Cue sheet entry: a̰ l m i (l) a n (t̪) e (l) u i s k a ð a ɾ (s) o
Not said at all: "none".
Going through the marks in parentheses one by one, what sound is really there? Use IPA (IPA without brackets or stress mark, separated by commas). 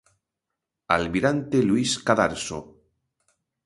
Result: ɾ, t̪, l, s